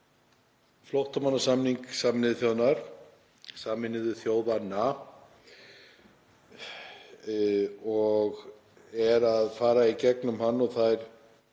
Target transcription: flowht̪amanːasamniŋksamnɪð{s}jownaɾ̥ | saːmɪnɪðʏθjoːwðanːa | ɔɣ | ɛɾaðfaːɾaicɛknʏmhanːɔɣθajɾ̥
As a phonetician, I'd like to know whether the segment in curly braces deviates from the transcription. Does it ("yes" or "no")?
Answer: yes